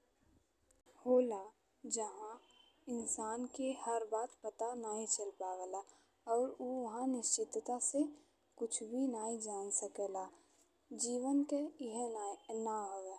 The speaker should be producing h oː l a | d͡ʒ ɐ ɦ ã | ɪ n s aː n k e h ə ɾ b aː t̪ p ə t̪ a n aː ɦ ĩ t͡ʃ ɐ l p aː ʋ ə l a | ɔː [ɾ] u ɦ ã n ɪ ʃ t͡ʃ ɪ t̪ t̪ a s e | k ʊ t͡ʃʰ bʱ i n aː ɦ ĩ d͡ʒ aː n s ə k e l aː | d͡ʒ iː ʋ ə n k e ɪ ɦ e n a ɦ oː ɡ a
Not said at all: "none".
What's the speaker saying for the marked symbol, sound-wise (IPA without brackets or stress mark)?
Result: ɾ